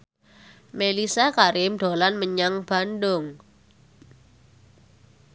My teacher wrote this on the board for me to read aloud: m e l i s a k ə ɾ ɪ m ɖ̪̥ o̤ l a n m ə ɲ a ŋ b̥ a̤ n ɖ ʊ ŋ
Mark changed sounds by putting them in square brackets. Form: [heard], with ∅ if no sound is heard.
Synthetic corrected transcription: m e l i s a k [a] ɾ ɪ m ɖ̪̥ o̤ l a n m ə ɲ a ŋ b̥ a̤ n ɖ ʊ ŋ